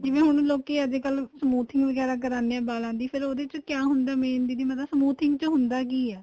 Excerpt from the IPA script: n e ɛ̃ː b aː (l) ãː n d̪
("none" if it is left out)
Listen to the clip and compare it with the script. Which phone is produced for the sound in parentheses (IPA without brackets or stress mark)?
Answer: l